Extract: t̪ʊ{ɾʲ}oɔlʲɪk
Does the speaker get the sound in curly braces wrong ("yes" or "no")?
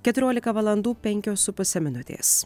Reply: no